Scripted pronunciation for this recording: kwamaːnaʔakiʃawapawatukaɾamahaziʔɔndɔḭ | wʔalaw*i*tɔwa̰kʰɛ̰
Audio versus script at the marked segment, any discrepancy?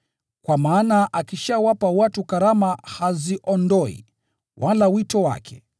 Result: no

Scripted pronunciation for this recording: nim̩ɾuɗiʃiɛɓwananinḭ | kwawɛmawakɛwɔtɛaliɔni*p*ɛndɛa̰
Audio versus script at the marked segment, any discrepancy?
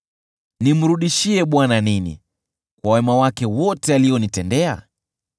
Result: yes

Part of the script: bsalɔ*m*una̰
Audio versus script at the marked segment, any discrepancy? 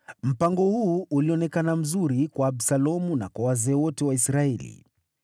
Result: no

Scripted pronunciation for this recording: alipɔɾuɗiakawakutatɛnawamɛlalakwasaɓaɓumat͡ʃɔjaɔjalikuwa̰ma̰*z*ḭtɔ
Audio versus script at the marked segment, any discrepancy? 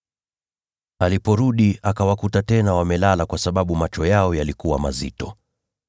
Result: no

